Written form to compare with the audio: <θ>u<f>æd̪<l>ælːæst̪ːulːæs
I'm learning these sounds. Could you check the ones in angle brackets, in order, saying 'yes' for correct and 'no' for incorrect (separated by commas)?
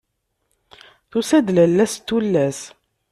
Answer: yes, no, yes